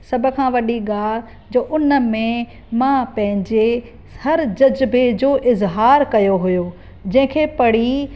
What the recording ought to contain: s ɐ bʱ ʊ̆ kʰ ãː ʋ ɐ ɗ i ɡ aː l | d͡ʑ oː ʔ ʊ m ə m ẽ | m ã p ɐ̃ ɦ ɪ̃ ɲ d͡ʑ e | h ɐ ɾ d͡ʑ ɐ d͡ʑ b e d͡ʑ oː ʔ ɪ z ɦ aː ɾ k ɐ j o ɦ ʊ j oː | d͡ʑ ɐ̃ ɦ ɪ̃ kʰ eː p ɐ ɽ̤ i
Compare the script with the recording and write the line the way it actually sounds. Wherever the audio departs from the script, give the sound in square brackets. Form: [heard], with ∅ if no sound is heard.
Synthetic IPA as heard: s ɐ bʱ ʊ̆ kʰ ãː ʋ ɐ ɗ i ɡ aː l | d͡ʑ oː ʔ ʊ [n] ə m ẽ | m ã p ɐ̃ ɦ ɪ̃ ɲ d͡ʑ e | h ɐ ɾ d͡ʑ ɐ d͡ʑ b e d͡ʑ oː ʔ ɪ z ɦ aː ɾ k ɐ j o ɦ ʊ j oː | d͡ʑ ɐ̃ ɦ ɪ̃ kʰ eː p ɐ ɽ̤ i